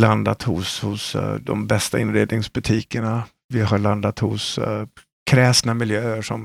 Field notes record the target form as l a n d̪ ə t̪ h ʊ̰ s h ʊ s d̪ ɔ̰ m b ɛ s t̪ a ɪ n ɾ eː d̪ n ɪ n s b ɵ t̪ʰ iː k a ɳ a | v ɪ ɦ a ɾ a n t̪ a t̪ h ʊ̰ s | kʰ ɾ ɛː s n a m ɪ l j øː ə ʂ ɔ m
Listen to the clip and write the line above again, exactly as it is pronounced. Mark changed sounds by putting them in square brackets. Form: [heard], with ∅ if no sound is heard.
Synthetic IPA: l a n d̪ [a] t̪ h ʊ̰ s h ʊ s d̪ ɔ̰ m b ɛ s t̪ a ɪ n ɾ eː d̪ n ɪ [ŋ] s b ɵ t̪ʰ iː k [ə] ɳ a | v ɪ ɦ a [ɭ] a n [d̪] a t̪ h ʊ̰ s | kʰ ɾ ɛː s n a m ɪ l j øː ə ʂ ɔ m